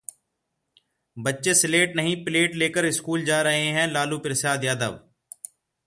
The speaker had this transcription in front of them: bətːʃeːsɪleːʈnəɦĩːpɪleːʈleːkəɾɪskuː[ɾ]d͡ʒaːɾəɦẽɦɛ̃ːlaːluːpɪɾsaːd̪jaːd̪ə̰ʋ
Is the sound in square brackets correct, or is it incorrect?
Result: incorrect